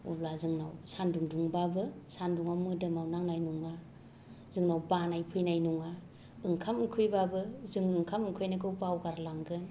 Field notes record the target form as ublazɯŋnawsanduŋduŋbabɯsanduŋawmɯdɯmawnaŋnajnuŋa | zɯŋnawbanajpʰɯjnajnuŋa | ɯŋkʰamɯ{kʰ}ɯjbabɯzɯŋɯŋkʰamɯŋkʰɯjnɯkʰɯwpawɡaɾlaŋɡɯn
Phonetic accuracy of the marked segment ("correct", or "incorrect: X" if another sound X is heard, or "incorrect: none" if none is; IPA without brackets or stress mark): correct